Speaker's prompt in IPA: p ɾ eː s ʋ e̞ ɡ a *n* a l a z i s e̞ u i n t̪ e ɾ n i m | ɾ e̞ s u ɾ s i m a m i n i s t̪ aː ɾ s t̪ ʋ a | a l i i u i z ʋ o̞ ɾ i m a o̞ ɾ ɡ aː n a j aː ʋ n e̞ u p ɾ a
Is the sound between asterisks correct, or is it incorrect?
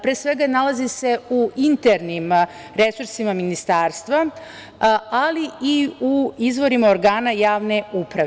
correct